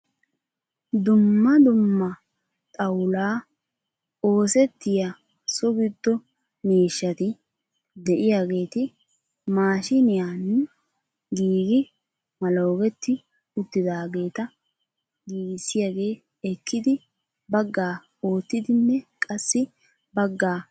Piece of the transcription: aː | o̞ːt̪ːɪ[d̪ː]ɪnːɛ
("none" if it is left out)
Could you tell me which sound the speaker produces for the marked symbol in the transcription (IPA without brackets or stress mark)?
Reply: d̪